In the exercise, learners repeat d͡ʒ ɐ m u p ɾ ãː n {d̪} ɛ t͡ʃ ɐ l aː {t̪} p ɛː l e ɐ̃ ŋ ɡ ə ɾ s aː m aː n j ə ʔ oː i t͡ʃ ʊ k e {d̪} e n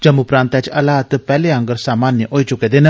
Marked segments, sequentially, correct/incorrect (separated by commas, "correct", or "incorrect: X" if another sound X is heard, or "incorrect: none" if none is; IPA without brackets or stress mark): incorrect: t̪, correct, correct